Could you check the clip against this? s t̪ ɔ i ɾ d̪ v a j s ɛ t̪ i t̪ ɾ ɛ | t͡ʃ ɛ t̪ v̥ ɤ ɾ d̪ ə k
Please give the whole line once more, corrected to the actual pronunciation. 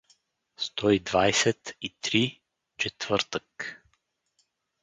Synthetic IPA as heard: s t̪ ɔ i d̪ v a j s ɛ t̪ i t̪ ɾ i | t͡ʃ ɛ t̪ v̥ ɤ ɾ t̪ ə k